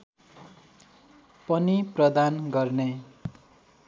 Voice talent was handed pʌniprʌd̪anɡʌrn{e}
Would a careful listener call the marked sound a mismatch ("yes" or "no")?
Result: no